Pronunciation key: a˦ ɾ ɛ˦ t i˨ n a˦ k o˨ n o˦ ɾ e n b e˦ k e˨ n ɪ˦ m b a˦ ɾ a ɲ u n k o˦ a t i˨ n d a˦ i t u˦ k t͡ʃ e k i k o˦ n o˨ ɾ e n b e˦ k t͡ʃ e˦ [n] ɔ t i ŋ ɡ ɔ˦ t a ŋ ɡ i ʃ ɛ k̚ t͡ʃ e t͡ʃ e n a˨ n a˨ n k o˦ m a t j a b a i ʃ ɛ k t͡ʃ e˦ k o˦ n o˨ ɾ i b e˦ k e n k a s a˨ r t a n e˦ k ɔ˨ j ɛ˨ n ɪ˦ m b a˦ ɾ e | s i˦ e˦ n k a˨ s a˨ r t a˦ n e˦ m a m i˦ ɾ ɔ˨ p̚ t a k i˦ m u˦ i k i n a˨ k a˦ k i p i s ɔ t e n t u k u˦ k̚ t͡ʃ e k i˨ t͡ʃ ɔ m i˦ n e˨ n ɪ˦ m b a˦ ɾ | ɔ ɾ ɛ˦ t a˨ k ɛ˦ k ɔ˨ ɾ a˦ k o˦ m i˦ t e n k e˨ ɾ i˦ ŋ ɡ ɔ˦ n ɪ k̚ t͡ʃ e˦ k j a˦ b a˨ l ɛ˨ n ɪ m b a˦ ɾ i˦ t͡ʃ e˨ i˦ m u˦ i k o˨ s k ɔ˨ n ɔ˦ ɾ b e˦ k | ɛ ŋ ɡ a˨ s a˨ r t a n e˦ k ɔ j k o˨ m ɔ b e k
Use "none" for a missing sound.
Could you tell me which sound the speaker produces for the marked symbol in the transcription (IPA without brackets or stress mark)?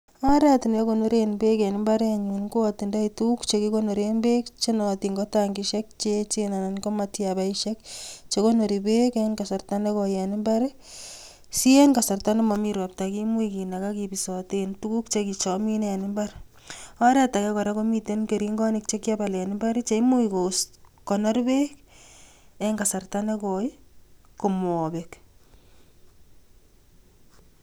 n